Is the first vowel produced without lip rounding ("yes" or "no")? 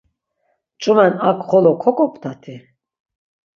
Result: no